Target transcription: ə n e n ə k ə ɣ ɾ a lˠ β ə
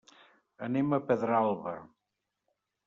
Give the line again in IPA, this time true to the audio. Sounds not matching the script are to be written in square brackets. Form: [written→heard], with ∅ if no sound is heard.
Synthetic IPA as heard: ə n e [n→m] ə [k→p] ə [ɣ→ð] ɾ a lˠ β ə